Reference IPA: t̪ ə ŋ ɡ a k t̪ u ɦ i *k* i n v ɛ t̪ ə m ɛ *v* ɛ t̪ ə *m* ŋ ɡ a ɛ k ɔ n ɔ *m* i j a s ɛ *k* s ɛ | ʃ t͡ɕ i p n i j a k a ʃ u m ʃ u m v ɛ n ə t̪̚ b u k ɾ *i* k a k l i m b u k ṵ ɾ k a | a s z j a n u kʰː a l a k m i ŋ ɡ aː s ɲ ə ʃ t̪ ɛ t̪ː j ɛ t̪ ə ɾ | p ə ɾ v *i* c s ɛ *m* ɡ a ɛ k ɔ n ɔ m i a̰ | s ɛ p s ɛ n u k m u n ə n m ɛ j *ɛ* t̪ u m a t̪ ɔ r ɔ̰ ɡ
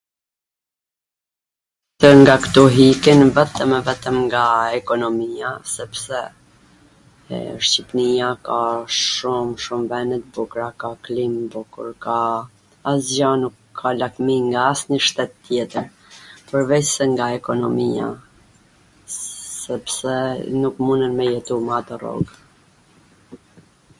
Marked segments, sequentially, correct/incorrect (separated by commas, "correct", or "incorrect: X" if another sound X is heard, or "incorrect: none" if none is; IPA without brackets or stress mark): correct, correct, correct, correct, incorrect: p, incorrect: a, incorrect: ɛ, incorrect: ŋ, correct